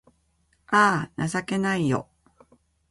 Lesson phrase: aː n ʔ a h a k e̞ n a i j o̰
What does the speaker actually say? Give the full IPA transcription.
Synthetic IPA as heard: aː n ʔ a s a k e̞ n a i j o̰